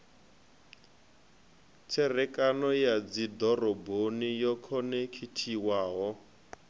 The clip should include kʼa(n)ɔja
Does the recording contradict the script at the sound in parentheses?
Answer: no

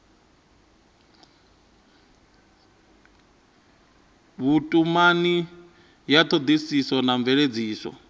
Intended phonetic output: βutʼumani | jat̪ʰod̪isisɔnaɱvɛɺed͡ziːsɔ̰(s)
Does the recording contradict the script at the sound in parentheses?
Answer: yes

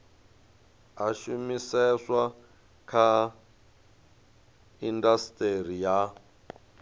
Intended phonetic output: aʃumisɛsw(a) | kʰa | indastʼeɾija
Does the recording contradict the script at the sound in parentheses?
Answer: no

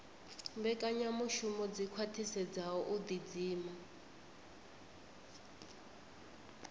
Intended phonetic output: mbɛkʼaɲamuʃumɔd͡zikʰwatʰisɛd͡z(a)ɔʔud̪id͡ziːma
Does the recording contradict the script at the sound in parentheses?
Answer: no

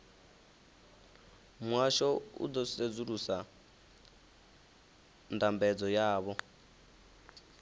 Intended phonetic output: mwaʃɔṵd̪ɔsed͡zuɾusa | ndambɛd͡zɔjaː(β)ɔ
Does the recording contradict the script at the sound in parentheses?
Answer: no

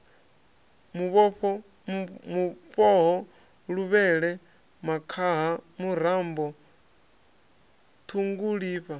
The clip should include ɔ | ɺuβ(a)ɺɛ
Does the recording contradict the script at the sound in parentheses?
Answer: yes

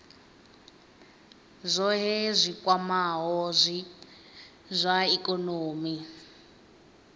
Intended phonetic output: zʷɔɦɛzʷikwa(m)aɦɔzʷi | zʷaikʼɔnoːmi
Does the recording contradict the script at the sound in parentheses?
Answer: no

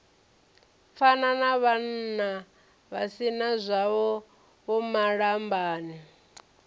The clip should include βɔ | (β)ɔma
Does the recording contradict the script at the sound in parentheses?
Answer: no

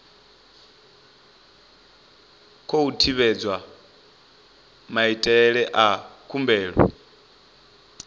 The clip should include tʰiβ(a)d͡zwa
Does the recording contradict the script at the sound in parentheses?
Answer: yes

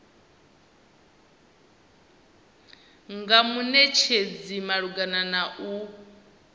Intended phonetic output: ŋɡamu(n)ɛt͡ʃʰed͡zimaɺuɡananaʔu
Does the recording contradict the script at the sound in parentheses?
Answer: no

